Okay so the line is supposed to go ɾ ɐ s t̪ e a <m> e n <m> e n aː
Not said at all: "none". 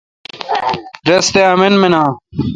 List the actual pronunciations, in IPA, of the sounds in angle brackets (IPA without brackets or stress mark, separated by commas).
m, m